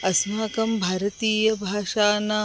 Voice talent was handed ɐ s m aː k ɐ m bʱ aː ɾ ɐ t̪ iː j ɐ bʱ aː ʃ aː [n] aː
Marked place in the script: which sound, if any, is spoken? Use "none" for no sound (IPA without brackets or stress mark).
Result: n